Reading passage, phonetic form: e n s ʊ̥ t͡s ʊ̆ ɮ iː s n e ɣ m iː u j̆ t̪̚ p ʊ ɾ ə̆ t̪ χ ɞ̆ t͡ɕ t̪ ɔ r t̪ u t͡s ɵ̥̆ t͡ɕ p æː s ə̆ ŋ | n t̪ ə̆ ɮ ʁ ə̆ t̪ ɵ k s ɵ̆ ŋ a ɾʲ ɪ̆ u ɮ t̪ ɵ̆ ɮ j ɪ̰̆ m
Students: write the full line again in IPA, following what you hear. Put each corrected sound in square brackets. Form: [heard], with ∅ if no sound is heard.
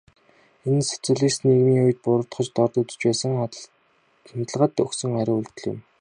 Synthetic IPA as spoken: e n s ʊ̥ t͡s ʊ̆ ɮ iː s n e ɣ m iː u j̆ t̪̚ p ʊ ɾ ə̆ t̪ χ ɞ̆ t͡ɕ t̪ ɔ r t̪ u t͡s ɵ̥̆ t͡ɕ p æː s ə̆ ŋ | n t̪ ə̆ ɮ ʁ ə̆ t̪ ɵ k s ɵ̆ ŋ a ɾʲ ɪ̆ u ɮ t̪ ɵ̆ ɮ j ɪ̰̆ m